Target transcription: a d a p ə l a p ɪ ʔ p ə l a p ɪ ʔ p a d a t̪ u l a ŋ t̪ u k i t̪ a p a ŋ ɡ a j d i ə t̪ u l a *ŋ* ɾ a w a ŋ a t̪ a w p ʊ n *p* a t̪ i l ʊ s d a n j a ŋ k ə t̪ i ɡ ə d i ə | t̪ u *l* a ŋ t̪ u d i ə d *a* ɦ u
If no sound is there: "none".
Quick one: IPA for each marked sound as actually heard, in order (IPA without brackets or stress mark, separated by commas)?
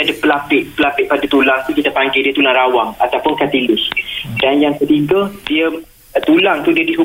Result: ŋ, k, l, i